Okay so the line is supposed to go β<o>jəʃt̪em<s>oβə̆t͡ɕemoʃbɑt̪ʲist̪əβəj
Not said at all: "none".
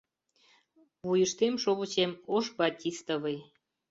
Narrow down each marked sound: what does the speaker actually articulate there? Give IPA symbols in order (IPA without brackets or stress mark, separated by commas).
u, ʃ